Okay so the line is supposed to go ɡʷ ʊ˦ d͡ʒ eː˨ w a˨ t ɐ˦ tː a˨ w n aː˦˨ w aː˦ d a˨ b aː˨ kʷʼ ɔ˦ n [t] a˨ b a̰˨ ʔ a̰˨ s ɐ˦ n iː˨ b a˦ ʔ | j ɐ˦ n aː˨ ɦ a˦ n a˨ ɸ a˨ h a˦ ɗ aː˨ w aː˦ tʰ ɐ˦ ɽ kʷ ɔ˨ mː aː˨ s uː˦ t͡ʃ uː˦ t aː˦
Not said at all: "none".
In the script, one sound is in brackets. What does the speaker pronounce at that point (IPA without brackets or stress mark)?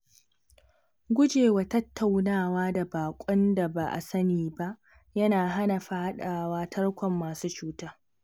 d